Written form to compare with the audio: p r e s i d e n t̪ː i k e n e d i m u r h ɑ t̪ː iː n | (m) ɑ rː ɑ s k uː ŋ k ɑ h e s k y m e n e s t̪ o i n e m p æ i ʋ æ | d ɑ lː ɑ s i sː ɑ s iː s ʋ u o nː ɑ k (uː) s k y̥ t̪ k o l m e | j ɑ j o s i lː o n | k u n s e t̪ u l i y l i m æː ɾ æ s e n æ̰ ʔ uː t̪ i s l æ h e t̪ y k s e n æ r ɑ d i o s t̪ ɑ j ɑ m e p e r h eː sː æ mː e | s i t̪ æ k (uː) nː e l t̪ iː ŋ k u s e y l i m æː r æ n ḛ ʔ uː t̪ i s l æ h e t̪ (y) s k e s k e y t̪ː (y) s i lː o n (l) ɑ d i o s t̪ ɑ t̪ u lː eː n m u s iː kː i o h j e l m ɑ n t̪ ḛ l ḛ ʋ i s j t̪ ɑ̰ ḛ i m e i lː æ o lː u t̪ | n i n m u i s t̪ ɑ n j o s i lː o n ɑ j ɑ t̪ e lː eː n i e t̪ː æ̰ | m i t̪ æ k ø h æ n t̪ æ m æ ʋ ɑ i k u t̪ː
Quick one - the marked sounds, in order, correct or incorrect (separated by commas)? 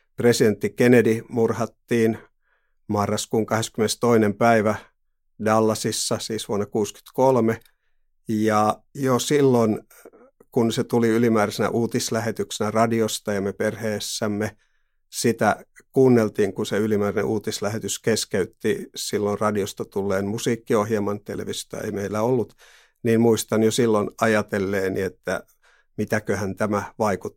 correct, correct, correct, correct, incorrect, incorrect